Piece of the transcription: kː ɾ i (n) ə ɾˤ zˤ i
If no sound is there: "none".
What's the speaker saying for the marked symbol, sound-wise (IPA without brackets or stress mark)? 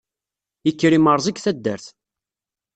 m